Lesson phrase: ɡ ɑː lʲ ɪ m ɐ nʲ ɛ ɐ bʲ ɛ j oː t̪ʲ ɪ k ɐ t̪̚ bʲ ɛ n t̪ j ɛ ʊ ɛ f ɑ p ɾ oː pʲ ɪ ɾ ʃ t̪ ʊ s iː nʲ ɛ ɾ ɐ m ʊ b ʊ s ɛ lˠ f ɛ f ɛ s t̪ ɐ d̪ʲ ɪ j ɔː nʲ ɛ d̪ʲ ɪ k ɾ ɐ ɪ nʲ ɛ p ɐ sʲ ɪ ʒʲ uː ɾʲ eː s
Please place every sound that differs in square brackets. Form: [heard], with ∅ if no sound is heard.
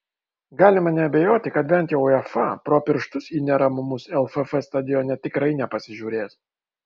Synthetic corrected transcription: ɡ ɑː lʲ ɪ m ɐ nʲ ɛ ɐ bʲ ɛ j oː t̪ʲ ɪ k ɐ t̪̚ bʲ ɛ n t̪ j ɛ ʊ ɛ f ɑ p ɾ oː pʲ ɪ ɾ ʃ t̪ ʊ s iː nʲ ɛ ɾ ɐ m ʊ [m] ʊ s ɛ lˠ f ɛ f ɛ s t̪ ɐ d̪ʲ ɪ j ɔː nʲ ɛ [t̪ʲ] ɪ k ɾ ɐ ɪ nʲ ɛ p ɐ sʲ ɪ ʒʲ uː ɾʲ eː s